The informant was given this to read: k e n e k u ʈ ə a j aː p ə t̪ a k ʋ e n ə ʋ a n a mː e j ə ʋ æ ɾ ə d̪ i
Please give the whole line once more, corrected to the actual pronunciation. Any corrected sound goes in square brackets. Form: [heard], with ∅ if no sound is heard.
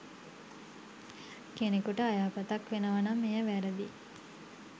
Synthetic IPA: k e n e k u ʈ ə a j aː p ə t̪ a k ʋ e n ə ʋ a n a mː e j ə ʋ æ ɾ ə d̪ i